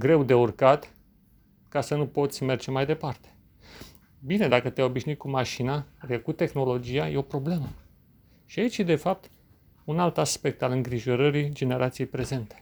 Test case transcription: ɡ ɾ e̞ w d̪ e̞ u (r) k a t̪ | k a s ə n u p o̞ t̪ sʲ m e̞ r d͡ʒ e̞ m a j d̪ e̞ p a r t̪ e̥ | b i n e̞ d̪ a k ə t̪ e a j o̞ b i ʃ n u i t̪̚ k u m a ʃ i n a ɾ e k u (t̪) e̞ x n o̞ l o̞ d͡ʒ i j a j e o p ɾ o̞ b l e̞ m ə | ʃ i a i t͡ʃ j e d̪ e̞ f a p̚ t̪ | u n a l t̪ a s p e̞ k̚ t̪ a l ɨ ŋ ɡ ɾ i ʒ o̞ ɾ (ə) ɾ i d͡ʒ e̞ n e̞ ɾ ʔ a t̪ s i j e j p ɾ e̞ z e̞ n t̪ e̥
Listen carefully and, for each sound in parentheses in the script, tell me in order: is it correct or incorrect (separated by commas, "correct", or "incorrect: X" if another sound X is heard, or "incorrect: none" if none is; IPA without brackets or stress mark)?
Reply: correct, correct, correct